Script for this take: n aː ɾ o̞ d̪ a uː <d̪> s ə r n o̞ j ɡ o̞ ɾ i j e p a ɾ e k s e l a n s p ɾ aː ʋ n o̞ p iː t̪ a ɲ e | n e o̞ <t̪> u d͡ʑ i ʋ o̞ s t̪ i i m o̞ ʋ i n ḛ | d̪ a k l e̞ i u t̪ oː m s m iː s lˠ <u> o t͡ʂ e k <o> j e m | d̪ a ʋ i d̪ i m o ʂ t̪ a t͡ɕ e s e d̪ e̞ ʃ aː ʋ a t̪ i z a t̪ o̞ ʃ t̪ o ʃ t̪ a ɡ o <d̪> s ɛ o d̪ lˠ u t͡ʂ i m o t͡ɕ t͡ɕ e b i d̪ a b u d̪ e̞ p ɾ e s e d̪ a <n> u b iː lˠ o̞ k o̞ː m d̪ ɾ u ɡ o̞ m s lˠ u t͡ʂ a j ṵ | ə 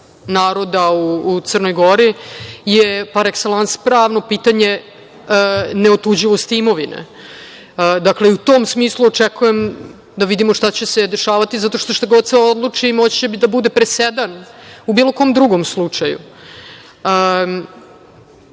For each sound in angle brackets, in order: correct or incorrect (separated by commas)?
incorrect, correct, correct, incorrect, correct, correct